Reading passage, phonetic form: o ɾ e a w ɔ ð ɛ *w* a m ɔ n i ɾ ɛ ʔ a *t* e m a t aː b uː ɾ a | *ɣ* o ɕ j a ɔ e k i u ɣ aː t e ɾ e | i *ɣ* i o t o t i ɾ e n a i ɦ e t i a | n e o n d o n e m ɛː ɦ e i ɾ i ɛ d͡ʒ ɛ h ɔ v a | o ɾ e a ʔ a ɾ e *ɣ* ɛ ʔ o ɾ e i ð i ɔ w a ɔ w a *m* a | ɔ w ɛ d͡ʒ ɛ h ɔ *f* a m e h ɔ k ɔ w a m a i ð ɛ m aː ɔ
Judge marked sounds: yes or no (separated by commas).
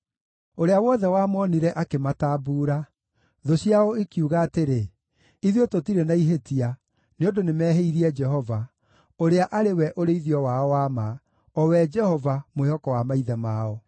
yes, no, no, no, no, yes, no